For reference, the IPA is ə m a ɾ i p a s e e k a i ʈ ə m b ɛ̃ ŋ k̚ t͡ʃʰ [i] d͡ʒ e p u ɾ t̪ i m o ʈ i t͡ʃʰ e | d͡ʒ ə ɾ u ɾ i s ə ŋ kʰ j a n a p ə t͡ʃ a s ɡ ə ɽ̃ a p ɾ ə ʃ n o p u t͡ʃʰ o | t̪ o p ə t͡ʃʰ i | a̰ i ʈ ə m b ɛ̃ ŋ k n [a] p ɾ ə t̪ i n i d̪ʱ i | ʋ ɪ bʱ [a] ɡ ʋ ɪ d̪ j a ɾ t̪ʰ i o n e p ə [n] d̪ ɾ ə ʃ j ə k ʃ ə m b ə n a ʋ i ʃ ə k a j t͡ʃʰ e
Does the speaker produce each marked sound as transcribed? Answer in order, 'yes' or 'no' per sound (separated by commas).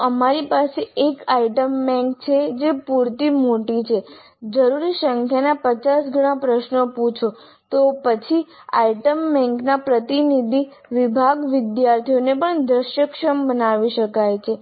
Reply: no, yes, yes, no